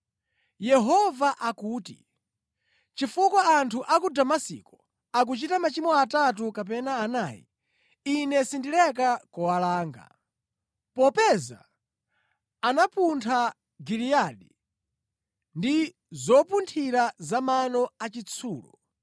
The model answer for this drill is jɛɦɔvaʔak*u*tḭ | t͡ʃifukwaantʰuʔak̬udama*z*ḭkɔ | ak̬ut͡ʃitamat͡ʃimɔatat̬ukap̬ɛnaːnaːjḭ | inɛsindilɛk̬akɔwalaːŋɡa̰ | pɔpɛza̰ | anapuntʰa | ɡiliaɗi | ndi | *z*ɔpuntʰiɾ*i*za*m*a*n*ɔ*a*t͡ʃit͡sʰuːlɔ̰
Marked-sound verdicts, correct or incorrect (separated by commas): incorrect, incorrect, correct, incorrect, correct, correct, correct